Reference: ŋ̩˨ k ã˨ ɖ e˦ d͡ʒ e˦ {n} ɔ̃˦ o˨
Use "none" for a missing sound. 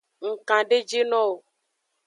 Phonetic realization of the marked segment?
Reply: n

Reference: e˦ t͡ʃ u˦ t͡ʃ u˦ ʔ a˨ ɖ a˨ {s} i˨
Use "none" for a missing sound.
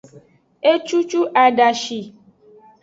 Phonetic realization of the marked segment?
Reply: ʃ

